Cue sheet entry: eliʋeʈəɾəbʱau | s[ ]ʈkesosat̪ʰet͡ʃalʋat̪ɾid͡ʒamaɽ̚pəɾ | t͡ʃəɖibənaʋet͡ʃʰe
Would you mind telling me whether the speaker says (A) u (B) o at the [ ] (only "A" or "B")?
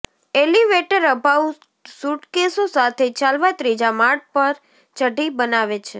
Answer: A